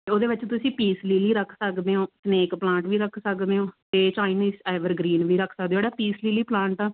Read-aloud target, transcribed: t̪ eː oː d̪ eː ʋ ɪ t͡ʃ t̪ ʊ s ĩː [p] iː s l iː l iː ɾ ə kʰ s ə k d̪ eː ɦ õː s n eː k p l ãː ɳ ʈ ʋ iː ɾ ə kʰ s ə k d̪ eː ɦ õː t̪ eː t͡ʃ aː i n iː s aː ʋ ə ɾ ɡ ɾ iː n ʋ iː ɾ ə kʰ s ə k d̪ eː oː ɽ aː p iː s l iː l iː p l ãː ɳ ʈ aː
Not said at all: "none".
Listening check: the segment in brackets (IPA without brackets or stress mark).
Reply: p